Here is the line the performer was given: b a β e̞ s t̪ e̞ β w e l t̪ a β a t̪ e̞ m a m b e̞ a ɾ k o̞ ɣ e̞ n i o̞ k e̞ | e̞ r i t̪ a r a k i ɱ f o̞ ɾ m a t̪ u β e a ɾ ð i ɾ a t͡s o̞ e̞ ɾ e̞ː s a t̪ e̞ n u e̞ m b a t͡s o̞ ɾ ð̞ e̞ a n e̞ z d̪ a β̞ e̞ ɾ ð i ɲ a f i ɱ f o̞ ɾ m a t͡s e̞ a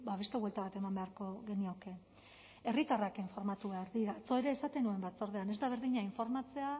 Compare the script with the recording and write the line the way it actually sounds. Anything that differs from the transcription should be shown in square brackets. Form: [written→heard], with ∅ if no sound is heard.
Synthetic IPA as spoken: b a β e̞ s t̪ e̞ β w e l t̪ a β a t̪ e̞ m a m b e̞ a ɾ k o̞ ɣ e̞ n i o̞ k e̞ | e̞ r i t̪ a r a k i ɱ f o̞ ɾ m a t̪ u β e a ɾ ð i ɾ a t͡s o̞ e̞ ɾ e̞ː s a t̪ e̞ n u e̞ m b a t͡s o̞ ɾ ð̞ e̞ a n e̞ z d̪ a β̞ e̞ ɾ ð i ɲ a [f→∅] i ɱ f o̞ ɾ m a t͡s e̞ a